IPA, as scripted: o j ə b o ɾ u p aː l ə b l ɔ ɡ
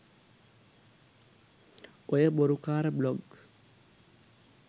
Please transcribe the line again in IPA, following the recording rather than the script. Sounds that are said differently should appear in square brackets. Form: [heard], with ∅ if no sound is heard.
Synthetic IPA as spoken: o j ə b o ɾ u [k] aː [ɾ] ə b l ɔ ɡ

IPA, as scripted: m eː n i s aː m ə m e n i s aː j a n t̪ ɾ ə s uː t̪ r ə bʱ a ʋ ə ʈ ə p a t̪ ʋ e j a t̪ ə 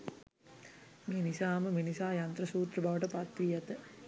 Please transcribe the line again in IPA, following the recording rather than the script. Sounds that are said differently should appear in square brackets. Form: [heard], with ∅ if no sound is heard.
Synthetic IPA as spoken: m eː n i s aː m ə m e n i s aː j a n t̪ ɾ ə s uː t̪ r ə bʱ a ʋ ə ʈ ə p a t̪ ʋ [i] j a t̪ ə

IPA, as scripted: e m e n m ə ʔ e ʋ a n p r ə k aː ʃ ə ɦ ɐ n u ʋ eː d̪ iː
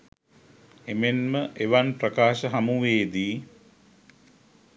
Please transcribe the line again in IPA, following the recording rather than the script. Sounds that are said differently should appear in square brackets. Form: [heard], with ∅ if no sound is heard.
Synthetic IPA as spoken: e m e n m ə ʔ e ʋ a n p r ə k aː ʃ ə ɦ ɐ [m] u ʋ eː d̪ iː

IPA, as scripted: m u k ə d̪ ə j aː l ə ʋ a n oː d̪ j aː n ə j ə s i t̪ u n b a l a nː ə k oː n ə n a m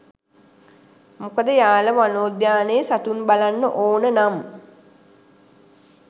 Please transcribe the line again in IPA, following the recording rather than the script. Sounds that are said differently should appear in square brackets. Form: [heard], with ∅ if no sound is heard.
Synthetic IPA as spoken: m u k ə d̪ ə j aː l ə ʋ a n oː d̪ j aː n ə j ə s [a] t̪ u n b a l a nː ə [ʔ] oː n ə n a m

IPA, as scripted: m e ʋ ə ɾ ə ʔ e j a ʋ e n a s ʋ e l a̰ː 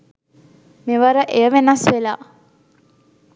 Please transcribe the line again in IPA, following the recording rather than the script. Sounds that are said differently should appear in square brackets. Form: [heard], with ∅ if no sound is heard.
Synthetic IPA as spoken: m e ʋ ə ɾ ə ʔ e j [ə] ʋ e n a s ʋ e l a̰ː

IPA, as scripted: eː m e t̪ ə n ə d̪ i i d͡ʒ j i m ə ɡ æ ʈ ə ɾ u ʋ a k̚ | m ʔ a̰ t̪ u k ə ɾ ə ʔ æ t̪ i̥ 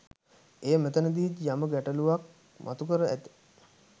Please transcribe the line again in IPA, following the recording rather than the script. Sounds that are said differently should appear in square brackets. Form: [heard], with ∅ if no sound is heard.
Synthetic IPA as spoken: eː m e t̪ ə n ə d̪ i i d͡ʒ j [a] m ə ɡ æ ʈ ə [l] u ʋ a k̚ | m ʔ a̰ t̪ u k ə ɾ ə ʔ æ t̪ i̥

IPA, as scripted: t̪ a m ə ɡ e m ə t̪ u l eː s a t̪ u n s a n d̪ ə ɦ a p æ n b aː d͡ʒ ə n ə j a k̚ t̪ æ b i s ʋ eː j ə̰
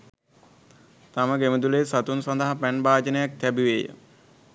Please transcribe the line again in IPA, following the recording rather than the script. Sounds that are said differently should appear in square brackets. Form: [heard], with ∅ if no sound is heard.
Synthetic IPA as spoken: t̪ a m ə ɡ e m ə [d̪] u l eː s a t̪ u n s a n d̪ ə ɦ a p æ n b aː d͡ʒ ə n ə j a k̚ t̪ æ b i [∅] ʋ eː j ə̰

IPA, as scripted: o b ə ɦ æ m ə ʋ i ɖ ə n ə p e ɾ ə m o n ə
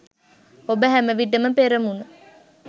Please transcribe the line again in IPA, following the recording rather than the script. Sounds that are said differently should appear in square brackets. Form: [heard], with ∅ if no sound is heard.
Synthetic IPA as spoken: o b ə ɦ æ m ə ʋ i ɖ ə [m] ə p e ɾ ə m [u] n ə

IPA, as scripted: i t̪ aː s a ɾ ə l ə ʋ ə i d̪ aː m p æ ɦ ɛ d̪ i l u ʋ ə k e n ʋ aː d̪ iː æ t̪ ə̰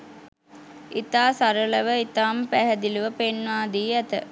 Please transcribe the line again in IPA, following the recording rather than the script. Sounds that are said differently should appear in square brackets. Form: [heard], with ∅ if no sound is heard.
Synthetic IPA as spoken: i t̪ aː s a ɾ ə l ə ʋ ə i [t̪] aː m p æ ɦ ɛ d̪ i l u ʋ ə [p] e n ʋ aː d̪ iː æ t̪ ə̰

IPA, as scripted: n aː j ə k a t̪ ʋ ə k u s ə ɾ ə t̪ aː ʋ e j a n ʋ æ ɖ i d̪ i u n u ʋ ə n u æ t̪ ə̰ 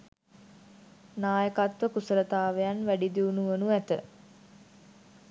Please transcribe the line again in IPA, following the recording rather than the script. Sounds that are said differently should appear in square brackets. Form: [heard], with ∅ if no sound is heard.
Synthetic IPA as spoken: n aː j ə k a t̪ ʋ ə k u s ə ɾ ə t̪ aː ʋ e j a n ʋ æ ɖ i d̪ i u n u ʋ ə n u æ t̪ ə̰

